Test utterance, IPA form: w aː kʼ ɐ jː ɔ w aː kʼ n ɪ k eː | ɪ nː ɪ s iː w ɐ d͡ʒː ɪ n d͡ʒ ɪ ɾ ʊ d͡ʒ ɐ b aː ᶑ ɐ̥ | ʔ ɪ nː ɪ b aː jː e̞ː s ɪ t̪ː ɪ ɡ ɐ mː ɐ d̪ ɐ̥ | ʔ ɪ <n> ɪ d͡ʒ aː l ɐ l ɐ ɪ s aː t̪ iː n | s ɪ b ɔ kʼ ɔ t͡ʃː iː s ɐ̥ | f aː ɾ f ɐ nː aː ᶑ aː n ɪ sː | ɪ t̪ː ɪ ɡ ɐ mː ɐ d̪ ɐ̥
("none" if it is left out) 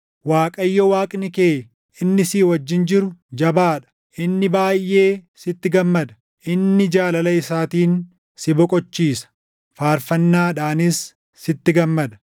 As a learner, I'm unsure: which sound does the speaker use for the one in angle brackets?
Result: nː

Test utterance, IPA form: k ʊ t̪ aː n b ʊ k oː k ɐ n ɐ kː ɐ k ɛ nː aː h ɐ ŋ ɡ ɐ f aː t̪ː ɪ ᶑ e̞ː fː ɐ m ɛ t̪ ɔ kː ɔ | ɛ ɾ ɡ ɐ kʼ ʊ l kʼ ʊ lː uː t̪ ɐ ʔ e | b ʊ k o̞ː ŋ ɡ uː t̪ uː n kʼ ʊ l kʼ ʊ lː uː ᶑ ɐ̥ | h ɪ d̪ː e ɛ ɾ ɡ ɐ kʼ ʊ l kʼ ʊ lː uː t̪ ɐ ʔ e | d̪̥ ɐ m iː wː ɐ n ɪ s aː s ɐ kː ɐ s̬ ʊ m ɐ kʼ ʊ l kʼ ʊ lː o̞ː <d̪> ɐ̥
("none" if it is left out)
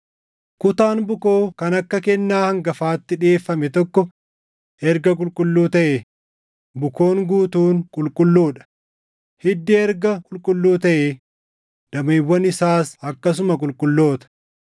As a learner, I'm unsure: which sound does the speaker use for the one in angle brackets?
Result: t̪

